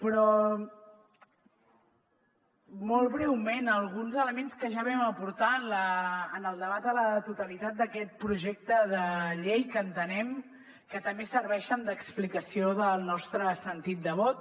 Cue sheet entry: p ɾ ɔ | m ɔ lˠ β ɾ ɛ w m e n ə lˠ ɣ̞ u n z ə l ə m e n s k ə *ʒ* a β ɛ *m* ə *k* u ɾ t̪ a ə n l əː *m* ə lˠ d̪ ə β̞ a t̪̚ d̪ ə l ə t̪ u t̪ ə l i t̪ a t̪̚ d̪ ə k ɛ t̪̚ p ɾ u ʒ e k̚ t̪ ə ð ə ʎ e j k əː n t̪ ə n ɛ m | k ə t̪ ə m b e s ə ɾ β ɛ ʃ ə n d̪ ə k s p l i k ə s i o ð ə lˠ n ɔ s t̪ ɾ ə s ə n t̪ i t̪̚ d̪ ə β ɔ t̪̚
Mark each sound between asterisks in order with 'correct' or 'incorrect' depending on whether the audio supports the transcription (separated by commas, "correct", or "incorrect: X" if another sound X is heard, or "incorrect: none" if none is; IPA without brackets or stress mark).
correct, correct, incorrect: p, incorrect: n